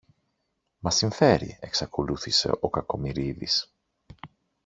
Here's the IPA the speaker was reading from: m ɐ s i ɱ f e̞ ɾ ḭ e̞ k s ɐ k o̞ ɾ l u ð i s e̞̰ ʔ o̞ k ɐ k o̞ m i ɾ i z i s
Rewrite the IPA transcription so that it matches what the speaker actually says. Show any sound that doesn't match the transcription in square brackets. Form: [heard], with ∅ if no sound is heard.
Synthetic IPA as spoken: m ɐ s i ɱ f e̞ ɾ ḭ e̞ k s ɐ k o̞ [∅] l u [θ] i s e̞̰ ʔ o̞ k ɐ k o̞ m i ɾ i [ð] i s